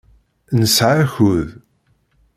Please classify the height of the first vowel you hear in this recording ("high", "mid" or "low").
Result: mid